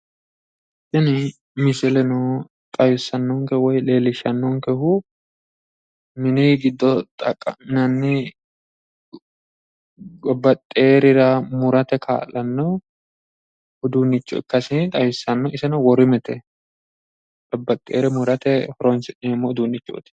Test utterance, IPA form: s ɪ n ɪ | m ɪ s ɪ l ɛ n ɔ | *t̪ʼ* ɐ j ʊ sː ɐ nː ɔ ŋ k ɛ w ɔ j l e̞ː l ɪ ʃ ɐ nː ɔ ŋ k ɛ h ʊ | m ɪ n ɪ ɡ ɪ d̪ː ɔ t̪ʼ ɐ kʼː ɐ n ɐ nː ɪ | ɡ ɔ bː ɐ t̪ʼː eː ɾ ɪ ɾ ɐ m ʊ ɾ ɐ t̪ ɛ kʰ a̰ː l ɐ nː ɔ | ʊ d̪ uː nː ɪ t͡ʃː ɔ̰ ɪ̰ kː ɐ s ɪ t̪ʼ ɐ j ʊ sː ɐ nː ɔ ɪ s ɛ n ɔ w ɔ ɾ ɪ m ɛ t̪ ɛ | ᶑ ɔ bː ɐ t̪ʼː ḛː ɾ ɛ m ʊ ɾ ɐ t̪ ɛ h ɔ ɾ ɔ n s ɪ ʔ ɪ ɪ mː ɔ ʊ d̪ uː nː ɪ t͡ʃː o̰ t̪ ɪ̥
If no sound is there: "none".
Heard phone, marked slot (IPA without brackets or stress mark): t̪ʼ